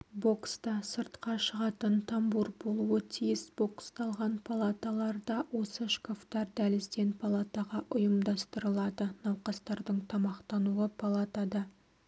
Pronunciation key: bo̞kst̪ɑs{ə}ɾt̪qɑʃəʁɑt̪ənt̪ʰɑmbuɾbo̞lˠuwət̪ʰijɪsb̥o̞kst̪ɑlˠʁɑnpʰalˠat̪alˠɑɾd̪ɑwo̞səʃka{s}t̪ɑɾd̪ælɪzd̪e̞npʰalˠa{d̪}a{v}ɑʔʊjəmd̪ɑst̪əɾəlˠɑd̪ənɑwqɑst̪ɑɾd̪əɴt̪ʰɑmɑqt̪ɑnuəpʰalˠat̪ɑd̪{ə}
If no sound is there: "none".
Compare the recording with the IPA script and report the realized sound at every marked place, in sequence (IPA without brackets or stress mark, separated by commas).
ə, f, t̪, ʁ, ɑ